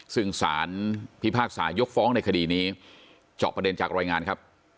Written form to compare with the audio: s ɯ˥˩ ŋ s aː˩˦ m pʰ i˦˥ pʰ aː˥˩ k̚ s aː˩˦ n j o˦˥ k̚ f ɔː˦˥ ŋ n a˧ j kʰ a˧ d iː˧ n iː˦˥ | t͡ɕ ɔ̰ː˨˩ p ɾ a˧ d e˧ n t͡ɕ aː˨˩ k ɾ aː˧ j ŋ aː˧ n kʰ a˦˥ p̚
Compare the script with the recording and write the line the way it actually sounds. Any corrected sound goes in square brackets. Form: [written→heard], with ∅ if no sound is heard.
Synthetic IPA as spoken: s ɯ˥˩ ŋ s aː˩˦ [m→n] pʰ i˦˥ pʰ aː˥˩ k̚ s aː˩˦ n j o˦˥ k̚ f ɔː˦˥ ŋ n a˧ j kʰ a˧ d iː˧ n iː˦˥ | t͡ɕ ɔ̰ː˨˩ p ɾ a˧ d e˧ n t͡ɕ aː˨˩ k ɾ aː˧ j ŋ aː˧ n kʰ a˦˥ p̚